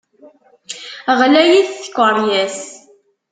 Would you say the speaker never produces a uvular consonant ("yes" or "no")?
no